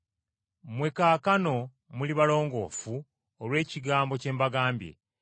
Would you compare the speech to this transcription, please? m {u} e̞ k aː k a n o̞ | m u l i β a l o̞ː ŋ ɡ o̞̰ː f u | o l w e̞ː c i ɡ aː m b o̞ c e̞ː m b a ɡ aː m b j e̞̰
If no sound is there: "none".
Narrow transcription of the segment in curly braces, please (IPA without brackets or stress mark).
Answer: w